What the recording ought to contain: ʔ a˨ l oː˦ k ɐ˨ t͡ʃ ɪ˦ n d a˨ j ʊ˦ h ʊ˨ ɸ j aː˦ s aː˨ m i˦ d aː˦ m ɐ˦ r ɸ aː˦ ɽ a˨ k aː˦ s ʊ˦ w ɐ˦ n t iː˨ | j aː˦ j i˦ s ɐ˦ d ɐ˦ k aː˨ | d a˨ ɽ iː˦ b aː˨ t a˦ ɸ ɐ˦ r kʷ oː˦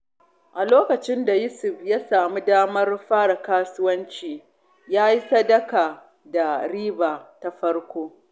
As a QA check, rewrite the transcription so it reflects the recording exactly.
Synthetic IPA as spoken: ʔ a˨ l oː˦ k ɐ˨ t͡ʃ ɪ˦ n d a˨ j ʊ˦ s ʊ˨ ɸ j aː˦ s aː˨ m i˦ d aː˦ m ɐ˦ r ɸ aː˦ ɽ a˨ k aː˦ s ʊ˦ w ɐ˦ n t͡ʃ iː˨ | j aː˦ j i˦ s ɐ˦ d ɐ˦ k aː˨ | d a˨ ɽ iː˦ b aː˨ t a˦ ɸ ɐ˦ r kʷ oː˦